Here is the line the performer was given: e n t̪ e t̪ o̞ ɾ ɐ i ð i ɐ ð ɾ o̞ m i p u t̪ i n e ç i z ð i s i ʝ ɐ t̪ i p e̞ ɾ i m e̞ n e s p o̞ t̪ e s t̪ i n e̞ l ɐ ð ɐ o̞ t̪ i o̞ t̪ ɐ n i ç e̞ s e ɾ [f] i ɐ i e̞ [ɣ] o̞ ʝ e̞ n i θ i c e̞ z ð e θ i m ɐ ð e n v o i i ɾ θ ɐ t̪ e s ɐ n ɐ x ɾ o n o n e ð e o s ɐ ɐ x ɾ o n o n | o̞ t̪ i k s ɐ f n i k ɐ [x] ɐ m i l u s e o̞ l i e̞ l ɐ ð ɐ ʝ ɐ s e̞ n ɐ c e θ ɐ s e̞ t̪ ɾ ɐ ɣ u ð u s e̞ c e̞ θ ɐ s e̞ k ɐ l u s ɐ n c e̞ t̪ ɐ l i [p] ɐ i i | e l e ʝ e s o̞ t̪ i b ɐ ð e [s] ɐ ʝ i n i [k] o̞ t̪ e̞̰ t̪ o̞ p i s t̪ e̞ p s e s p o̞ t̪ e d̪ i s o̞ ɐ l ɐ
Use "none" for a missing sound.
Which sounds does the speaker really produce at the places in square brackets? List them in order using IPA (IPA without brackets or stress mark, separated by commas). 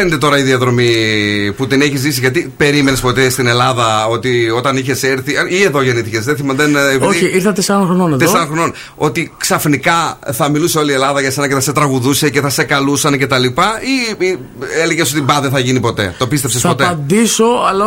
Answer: θ, ð, θ, p, θ, p